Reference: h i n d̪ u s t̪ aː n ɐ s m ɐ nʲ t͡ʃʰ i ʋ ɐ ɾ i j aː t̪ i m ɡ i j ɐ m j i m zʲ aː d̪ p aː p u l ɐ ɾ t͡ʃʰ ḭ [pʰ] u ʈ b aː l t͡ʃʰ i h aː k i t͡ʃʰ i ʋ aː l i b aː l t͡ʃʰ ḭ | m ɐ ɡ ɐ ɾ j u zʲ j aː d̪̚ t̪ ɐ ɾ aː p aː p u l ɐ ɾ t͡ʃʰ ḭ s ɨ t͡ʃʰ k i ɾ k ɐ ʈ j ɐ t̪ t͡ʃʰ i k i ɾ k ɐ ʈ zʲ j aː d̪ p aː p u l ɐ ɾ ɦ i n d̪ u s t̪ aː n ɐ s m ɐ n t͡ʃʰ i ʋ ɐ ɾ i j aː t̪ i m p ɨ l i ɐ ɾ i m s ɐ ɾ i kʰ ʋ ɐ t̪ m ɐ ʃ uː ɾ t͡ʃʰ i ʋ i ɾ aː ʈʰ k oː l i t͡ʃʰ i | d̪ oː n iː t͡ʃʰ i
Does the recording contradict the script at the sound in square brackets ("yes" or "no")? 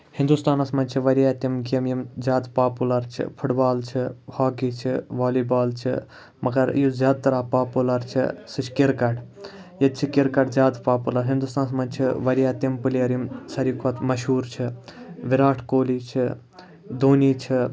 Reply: no